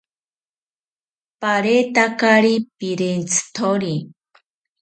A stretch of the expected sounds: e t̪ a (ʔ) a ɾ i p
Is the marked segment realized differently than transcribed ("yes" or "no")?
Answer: yes